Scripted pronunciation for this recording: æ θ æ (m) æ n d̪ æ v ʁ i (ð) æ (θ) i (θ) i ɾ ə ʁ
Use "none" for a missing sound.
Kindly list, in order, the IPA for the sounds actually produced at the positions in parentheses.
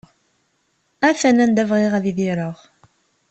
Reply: n, ʁ, ð, ð

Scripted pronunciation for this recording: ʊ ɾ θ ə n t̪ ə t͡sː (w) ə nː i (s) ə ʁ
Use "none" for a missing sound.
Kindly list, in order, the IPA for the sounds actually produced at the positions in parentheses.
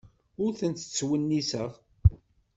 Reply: w, s

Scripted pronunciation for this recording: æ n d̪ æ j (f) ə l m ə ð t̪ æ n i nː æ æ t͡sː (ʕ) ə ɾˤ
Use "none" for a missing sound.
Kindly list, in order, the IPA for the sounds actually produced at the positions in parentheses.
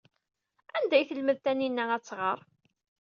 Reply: θ, ʁ

